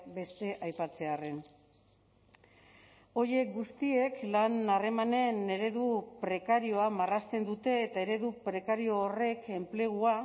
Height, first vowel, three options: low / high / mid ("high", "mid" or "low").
mid